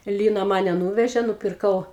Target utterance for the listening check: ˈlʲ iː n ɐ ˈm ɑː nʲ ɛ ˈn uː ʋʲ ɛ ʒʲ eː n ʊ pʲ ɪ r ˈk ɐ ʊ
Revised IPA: ˈlʲ iː n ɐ ˈm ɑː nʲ ɛ ˈn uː ʋʲ ɛ ʒʲ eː n ʊ pʲ ɪ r ˈk ɐ ʊ